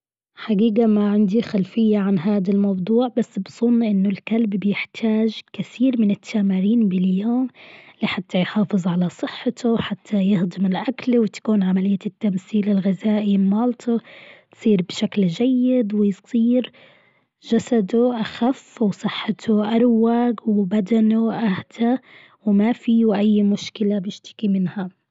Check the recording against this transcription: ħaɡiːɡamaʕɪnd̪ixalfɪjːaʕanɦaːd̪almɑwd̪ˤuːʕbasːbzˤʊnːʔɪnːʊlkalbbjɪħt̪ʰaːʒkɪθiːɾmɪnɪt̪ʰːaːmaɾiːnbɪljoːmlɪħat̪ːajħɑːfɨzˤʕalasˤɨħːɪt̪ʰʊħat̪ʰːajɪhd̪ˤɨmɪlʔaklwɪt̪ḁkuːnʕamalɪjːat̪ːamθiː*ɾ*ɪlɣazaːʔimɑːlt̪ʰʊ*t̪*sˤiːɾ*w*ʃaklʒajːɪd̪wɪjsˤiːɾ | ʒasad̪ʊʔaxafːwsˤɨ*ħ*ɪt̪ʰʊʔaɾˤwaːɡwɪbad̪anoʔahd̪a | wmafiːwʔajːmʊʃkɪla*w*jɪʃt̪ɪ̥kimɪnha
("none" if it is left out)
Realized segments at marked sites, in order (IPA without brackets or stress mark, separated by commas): l, t̪, b, ħː, b